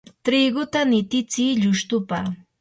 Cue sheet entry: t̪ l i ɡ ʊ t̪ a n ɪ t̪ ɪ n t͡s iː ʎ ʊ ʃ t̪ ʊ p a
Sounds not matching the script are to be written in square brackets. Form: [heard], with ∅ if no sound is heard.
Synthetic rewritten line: t̪ [ɾ] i ɡ ʊ t̪ a n ɪ t̪ ɪ [∅] t͡s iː ʎ ʊ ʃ t̪ ʊ p a